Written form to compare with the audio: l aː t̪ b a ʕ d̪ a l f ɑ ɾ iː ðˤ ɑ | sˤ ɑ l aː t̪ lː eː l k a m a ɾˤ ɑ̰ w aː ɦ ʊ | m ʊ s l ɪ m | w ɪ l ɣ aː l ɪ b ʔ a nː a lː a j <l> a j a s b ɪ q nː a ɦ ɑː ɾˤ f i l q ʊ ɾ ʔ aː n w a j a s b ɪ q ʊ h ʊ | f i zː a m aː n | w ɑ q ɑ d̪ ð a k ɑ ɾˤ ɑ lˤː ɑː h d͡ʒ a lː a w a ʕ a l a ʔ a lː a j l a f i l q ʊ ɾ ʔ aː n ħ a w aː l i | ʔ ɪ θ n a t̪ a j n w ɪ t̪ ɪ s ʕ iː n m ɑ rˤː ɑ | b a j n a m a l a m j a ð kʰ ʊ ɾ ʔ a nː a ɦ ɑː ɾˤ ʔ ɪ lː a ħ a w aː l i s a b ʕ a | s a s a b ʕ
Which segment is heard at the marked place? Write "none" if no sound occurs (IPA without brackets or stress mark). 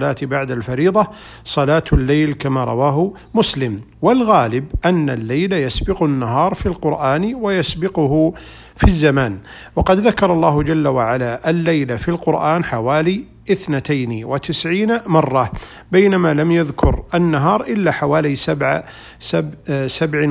l